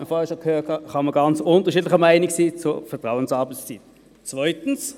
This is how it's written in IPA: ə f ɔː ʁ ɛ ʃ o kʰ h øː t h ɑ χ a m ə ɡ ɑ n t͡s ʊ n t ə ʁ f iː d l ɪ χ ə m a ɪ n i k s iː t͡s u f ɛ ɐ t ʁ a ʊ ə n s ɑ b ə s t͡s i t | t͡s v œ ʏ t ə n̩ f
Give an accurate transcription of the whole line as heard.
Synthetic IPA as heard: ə f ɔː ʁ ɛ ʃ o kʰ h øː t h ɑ χ ɑ m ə ɡ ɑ n t͡s ʊ n t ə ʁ ʃ iː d l ɪ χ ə m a ɪ n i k s iː t͡s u f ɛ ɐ t ʁ a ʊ ə n s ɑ b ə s t͡s i t | t͡s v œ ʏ t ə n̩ s